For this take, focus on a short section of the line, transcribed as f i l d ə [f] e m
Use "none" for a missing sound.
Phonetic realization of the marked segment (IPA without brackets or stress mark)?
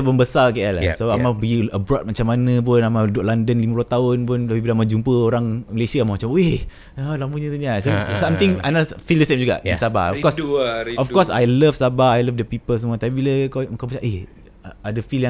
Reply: s